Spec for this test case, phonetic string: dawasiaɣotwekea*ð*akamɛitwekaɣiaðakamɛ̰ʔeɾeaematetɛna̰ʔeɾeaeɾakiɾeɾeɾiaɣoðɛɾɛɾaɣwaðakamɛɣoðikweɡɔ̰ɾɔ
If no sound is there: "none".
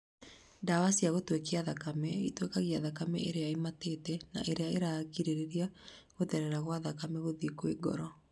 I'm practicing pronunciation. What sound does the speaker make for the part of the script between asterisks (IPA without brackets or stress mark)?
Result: ð